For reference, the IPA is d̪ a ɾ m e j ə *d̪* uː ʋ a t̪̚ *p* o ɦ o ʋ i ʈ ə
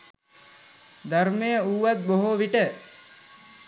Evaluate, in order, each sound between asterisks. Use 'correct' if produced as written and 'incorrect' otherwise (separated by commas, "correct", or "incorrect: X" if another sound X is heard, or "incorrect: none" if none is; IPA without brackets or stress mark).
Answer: incorrect: none, incorrect: b